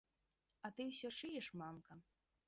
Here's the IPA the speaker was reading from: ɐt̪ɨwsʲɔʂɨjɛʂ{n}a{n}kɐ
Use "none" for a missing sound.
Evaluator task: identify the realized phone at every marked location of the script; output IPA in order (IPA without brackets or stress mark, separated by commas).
m, m